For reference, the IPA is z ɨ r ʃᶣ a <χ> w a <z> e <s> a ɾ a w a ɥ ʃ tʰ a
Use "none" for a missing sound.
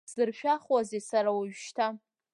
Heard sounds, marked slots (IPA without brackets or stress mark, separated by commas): χ, z, s